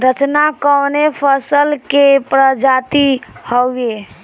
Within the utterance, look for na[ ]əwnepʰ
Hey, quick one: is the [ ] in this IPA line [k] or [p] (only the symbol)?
k